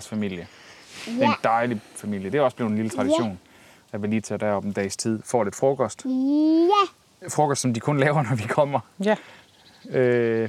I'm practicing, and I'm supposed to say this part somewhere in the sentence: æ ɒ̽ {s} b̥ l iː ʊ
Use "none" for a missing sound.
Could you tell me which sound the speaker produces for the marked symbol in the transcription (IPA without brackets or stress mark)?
s